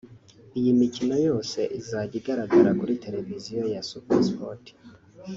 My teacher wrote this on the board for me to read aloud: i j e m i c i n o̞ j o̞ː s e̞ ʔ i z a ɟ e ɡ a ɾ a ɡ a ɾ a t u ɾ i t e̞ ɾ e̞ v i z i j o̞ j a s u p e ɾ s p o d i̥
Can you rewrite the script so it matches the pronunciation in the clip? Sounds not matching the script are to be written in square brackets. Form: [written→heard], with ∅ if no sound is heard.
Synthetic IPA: i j [e→i] m i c i n o̞ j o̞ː s e̞ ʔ i z a ɟ [e→i] ɡ a ɾ a ɡ a ɾ a [t→k] u ɾ i t e̞ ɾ e̞ v i z i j o̞ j a s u p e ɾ s p o [d→t] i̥

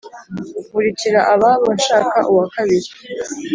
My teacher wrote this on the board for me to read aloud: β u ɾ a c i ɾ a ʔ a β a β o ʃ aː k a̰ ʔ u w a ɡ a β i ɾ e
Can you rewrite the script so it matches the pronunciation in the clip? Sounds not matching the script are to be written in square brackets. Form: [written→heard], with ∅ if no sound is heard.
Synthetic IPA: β u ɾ [a→i] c i ɾ a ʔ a β a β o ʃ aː k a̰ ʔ u w a [ɡ→k] a β i ɾ [e→i]

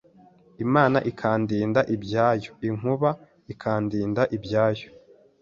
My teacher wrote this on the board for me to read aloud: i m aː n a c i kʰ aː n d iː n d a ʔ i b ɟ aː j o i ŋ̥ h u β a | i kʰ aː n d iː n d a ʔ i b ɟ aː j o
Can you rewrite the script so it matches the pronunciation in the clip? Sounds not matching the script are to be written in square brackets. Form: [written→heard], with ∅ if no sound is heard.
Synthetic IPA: i m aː n a [c→ʔ] i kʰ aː n d iː n d a ʔ i b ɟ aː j o i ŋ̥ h u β a | i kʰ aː n d iː n d a ʔ i b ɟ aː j o

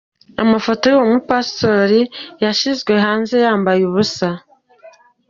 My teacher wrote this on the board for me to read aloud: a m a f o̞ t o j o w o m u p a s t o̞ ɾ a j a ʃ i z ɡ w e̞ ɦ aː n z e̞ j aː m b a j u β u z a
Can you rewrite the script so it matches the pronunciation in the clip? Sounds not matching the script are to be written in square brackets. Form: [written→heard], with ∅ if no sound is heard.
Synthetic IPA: a m a f o̞ t o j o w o m u p a s t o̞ ɾ [a→i] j a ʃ i z ɡ w e̞ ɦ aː n z e̞ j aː m b a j u β u [z→s] a

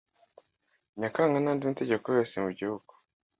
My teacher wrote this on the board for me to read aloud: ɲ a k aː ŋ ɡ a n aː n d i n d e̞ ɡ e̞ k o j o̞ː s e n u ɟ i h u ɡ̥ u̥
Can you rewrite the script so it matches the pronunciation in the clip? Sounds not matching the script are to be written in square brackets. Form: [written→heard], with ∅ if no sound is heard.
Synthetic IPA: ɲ a k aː ŋ ɡ a n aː n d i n [d→t] e̞ [ɡ→ɟ] e̞ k o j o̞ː s e [n→m] u ɟ i h u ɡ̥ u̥

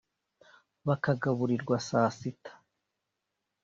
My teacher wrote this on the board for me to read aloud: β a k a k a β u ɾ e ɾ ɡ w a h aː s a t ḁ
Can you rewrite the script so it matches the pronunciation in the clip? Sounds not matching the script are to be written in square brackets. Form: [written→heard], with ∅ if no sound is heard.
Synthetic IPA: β a k a [k→ɡ] a β u ɾ [e→i] ɾ ɡ w a [h→s] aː s [a→i] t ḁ

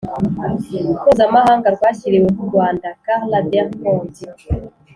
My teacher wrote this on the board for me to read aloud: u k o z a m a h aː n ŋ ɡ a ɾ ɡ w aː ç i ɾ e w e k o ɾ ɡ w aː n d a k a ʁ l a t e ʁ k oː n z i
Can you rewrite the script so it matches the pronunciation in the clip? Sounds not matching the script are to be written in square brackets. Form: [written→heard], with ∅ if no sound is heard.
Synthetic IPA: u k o z a m a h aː [n→∅] ŋ ɡ a ɾ ɡ w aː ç i ɾ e w e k [o→u] ɾ ɡ w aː n d a k a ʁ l a [t→d] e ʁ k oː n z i

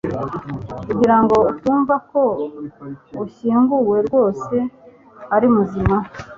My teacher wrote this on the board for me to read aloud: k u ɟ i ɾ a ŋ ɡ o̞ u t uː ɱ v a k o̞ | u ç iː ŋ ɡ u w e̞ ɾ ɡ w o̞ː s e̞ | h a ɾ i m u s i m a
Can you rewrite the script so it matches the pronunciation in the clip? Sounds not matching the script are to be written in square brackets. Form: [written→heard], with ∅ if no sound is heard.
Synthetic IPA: k u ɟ i ɾ a ŋ ɡ o̞ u t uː ɱ v a k o̞ | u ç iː ŋ ɡ u w e̞ ɾ ɡ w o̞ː s e̞ | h a ɾ i m u [s→z] i m a

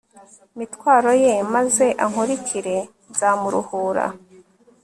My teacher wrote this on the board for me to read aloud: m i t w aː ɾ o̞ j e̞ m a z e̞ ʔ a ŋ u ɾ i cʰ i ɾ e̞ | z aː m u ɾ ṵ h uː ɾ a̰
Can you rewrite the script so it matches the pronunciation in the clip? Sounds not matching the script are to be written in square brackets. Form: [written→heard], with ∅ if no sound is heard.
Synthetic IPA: m i t w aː ɾ o̞ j e̞ m a z e̞ ʔ a ŋ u ɾ i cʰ i ɾ e̞ | z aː m u ɾ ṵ h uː ɾ a̰

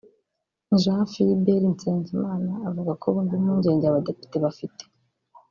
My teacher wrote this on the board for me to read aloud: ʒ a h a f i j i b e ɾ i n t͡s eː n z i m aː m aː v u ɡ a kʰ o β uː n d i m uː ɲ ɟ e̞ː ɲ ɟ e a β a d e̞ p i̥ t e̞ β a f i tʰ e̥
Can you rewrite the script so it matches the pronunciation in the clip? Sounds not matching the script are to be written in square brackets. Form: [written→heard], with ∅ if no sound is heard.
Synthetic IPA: ʒ a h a f i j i b e ɾ i n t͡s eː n z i m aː [m→n] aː v u ɡ a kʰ o β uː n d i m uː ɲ ɟ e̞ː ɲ ɟ e a β a d e̞ p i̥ t e̞ β a f i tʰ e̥

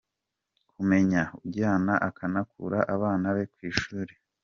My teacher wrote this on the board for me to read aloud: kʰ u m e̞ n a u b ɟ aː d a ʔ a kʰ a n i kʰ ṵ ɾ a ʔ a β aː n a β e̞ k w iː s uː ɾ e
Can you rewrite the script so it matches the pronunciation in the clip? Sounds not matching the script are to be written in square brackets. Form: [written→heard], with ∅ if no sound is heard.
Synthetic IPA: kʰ u m e̞ [n→ɲ] a u b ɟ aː [d→n] a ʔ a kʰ a n [i→a] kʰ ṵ ɾ a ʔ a β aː n a β e̞ k w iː [s→ʃ] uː ɾ e

